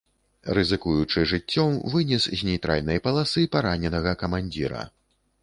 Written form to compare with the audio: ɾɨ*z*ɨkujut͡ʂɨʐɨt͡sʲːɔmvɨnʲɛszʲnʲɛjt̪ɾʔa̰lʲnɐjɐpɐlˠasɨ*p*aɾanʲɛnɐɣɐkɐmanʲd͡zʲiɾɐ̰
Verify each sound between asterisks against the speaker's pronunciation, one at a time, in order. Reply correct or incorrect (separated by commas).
correct, correct